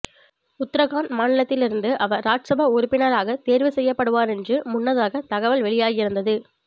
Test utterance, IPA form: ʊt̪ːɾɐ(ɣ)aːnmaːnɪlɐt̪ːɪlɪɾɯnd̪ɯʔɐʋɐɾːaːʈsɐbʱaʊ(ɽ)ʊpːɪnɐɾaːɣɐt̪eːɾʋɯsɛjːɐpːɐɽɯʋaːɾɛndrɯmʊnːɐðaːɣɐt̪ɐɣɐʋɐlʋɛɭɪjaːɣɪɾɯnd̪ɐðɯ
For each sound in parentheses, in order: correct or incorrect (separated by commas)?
correct, incorrect